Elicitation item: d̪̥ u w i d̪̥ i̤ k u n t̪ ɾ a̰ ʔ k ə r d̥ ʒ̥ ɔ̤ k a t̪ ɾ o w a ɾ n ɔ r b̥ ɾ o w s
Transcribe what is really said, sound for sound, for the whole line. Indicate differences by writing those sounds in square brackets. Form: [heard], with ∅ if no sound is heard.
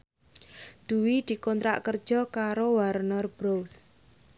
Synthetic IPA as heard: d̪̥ u w i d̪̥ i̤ k [ɔ] n t̪ ɾ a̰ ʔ k ə r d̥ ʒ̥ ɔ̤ k a [∅] ɾ o w a ɾ n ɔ r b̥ ɾ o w s